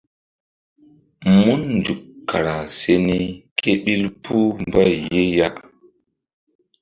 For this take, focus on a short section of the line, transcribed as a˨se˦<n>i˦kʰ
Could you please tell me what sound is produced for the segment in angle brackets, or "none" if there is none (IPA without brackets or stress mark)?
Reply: n